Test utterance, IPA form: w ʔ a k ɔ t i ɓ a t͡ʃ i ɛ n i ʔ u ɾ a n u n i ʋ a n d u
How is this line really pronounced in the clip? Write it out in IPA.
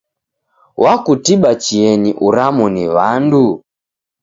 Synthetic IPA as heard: w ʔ a k u t i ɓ a t͡ʃ i ɛ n i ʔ u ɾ a m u n i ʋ a n d u